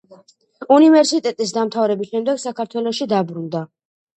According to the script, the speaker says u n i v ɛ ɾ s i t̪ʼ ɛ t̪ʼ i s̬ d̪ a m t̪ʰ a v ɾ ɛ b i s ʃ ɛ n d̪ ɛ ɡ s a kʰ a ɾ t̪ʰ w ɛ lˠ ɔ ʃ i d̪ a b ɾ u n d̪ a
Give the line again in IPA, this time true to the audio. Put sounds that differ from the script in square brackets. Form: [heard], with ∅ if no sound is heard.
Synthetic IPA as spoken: u n i v ɛ ɾ s i t̪ʼ ɛ t̪ʼ i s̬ d̪ a m t̪ʰ a v ɾ ɛ b i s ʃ ɛ [m] d̪ ɛ ɡ s a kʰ a ɾ t̪ʰ w ɛ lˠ ɔ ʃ i d̪ a b ɾ u n d̪ a

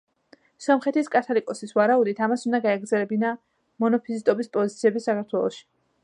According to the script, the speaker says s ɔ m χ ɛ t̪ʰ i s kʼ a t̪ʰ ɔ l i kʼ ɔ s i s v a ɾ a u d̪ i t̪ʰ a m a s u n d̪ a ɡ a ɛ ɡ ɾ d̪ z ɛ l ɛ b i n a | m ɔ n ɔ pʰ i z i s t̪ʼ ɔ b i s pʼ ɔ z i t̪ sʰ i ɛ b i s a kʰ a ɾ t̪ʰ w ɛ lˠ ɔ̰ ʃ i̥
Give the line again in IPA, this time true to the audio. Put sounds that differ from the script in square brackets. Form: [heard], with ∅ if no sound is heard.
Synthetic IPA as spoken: s ɔ m χ ɛ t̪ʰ i s kʼ a t̪ʰ ɔ l i kʼ ɔ s i s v a ɾ a u d̪ i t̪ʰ a m a s u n d̪ a ɡ a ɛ ɡ ɾ d̪ z ɛ l ɛ b i n a | m ɔ n ɔ pʰ i z i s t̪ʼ ɔ b i s pʼ ɔ z i t̪ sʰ i ɛ b i s a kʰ a ɾ t̪ʰ w ɛ lˠ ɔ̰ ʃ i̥

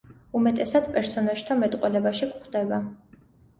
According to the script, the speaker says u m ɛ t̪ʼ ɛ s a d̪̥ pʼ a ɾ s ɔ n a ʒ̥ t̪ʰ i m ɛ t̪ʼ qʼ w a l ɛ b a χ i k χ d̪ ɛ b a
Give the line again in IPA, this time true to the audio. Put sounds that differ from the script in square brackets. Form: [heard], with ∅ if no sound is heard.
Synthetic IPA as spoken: u m ɛ t̪ʼ ɛ s a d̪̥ pʼ [ɛ] ɾ s ɔ n a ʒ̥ t̪ʰ [a] m ɛ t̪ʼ qʼ w [ɛ] l ɛ b a [ʃ] i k χ d̪ ɛ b a

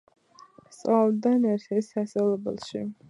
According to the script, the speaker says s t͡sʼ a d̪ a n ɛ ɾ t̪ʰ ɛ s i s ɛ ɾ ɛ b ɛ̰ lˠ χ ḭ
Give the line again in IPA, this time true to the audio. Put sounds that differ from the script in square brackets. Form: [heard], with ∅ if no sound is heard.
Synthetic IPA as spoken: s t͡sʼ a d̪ a n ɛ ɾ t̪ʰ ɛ s [a] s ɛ [l] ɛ b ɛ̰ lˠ [ʃ] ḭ

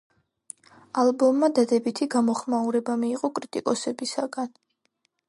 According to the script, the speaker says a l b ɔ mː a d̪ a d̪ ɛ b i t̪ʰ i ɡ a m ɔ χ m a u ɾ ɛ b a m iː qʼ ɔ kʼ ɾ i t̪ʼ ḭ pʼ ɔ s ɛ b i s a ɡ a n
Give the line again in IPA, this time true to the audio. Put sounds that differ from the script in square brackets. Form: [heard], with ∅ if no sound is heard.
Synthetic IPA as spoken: a l b ɔ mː a d̪ a d̪ ɛ b i t̪ʰ i ɡ a m ɔ χ m a u ɾ ɛ b a m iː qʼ ɔ kʼ ɾ i t̪ʼ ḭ [kʼ] ɔ s ɛ b i s a ɡ a n

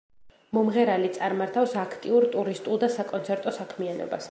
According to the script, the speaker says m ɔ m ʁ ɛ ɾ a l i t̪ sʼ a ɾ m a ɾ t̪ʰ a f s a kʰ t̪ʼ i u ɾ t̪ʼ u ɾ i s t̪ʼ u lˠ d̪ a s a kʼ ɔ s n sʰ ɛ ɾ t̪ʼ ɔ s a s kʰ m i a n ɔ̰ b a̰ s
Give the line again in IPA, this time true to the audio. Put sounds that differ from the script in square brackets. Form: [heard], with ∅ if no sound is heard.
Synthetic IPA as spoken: m ɔ m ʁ ɛ ɾ a l i t̪ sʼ a ɾ m a ɾ t̪ʰ a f s a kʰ t̪ʼ i u ɾ t̪ʼ u ɾ i s t̪ʼ u lˠ d̪ a s a kʼ ɔ [∅] n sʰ ɛ ɾ t̪ʼ ɔ s a [∅] kʰ m i a n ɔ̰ b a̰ s

